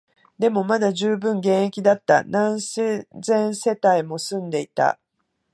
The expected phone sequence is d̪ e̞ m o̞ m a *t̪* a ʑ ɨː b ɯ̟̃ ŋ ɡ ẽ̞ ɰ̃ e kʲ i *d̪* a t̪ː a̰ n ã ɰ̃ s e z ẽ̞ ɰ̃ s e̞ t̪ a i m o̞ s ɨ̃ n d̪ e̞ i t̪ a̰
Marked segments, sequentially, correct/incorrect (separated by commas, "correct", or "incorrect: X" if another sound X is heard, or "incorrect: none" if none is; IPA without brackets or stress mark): incorrect: d̪, correct